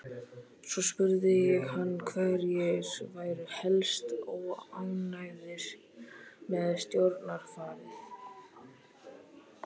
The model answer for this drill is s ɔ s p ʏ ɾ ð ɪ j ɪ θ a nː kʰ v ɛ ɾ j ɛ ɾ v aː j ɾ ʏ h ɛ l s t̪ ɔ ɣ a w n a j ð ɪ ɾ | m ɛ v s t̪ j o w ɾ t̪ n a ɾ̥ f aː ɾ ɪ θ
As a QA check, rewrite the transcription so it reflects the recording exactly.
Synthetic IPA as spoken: s ɔ s p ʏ ɾ ð ɪ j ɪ h a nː kʰ v ɛ ɾ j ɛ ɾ v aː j ɾ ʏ h ɛ l s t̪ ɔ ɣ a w n a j ð ɪ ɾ | m ɛ ð s t̪ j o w ɾ t̪ n a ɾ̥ f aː ɾ ɪ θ